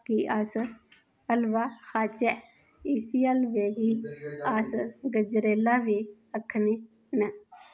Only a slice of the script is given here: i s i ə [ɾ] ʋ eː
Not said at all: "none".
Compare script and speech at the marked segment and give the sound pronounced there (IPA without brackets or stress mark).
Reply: l